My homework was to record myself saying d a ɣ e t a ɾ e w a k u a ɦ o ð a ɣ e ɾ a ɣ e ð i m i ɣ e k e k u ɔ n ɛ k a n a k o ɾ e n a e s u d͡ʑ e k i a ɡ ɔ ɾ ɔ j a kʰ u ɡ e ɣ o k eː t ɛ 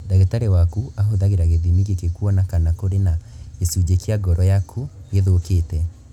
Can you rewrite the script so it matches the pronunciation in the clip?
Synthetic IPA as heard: d a ɣ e t a ɾ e w a k u a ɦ o ð a ɣ e ɾ a ɣ e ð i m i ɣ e k e k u ɔ n a k a n a k o ɾ e n a e s u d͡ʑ e k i a ɡ ɔ ɾ ɔ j a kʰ u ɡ e ð o k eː t ɛ